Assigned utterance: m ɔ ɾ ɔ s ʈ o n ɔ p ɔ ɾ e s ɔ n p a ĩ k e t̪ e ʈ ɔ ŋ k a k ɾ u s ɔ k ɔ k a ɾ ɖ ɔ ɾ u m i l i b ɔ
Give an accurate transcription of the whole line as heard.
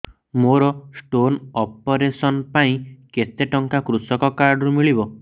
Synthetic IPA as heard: m o ɾ ɔ s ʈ o n ɔ p ɔ ɾ e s ɔ n p a ĩ k e t̪ e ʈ ɔ ŋ k a k ɾ u s ɔ k ɔ k a ɾ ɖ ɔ ɾ u m i ɭ i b ɔ

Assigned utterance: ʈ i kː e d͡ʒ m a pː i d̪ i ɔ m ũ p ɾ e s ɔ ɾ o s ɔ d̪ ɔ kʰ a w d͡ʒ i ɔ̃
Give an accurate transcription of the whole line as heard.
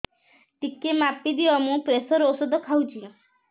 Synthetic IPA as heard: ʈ i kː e m a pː i d̪ i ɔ m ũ p ɾ e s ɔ ɾ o s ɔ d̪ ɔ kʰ a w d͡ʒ i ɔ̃

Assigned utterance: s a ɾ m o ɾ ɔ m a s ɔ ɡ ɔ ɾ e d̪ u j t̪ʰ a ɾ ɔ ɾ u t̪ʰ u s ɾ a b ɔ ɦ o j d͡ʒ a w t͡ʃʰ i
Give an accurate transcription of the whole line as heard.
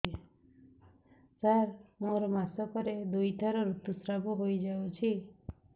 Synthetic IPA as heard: s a ɾ m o ɾ ɔ m a s ɔ k ɔ ɾ e d̪ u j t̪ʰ a ɾ ɔ ɾ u t̪ u s ɾ a b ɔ ɦ o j d͡ʒ a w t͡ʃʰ i

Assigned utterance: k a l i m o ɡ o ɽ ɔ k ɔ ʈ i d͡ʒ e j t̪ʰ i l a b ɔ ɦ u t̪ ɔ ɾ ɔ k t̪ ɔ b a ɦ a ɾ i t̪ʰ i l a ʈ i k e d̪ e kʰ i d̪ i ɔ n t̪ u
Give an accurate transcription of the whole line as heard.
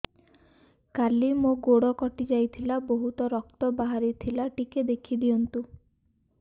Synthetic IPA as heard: k a l i m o ɡ o ɽ ɔ k ɔ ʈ i d͡ʒ a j t̪ʰ i l a b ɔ ɦ u t̪ ɔ ɾ ɔ k t̪ ɔ b a ɦ a ɾ i t̪ʰ i l a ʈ i k e d̪ e kʰ i d̪ i ɔ n t̪ u

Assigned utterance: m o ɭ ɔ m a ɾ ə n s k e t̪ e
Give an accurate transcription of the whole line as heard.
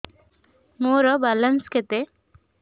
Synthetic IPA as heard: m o ɾ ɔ b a l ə n s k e t̪ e

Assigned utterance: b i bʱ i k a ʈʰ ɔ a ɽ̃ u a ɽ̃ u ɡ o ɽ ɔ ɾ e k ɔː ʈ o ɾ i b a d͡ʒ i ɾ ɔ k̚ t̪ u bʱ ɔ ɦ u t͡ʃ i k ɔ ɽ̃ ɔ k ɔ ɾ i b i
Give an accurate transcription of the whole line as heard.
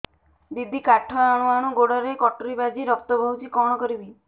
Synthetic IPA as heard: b i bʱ i k a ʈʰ ɔ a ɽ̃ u a ɽ̃ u ɡ o ɽ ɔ ɾ e k ɔ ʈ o ɾ i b a d͡ʒ i ɾ ɔ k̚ t̪ ɔ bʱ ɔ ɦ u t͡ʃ i k ɔ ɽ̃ ɔ k ɔ ɾ i b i

